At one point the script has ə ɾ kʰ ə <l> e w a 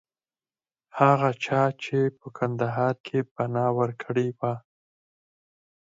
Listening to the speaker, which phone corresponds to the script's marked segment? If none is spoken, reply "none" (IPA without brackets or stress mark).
ɽ